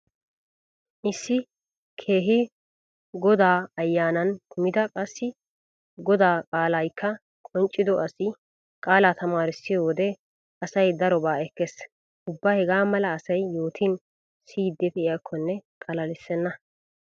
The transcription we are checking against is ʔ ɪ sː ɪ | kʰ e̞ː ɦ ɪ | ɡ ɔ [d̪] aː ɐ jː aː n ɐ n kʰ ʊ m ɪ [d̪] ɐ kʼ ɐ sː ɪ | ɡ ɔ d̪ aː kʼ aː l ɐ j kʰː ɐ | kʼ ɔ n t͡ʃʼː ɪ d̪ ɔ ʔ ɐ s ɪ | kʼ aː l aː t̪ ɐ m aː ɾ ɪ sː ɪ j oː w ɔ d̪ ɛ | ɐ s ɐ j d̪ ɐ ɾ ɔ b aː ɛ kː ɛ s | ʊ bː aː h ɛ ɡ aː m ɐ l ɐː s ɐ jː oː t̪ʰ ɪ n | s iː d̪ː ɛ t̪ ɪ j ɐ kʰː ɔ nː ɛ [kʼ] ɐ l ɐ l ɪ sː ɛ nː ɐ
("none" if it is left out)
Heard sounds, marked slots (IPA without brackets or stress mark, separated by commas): d̪, d̪, kʼ